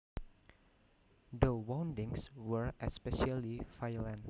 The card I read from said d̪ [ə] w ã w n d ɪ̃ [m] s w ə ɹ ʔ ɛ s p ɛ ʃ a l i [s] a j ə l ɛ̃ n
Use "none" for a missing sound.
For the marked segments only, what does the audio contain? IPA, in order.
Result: ə, ŋ, f

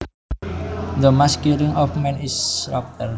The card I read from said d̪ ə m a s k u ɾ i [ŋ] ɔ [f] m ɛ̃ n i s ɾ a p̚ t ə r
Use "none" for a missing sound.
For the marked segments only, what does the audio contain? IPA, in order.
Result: ŋ, f

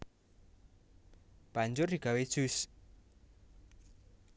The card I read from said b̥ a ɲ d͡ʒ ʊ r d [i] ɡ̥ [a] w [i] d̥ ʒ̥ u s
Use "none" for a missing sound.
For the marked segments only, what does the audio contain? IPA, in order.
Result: i, a, e

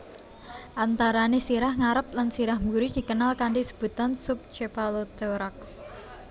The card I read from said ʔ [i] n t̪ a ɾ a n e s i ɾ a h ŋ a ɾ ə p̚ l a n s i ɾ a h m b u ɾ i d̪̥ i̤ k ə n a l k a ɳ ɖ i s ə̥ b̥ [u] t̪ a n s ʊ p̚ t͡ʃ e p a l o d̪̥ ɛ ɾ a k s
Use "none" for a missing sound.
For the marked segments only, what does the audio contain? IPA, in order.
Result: a, u

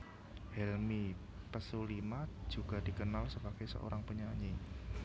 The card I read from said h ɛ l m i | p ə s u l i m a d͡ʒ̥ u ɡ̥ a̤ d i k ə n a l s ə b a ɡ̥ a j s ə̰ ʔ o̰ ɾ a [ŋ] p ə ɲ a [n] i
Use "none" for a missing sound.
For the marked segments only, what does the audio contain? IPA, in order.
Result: ŋ, ɲ

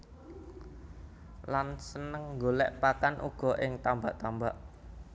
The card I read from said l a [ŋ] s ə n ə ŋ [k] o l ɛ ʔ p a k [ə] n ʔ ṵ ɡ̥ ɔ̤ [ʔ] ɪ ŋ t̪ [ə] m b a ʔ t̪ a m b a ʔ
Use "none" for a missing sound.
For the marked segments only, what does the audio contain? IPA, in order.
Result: n, ɡ, a, ʔ, a

